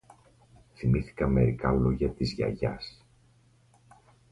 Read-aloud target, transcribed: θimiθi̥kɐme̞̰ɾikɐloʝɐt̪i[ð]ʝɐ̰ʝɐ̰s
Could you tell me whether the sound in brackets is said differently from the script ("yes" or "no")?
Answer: yes